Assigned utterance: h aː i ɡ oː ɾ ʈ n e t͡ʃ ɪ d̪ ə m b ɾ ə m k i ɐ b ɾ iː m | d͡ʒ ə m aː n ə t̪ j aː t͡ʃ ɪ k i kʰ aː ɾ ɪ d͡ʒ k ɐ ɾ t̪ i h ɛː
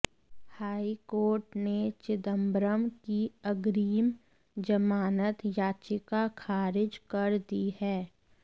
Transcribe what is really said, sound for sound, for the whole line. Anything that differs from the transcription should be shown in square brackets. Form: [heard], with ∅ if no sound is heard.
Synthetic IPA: h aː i [k] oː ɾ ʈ n e t͡ʃ ɪ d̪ ə m b ɾ ə m k i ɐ [ɡ] ɾ iː m | d͡ʒ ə m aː n ə t̪ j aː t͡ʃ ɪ k [a] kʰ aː ɾ ɪ d͡ʒ k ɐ ɾ [d̪] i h ɛː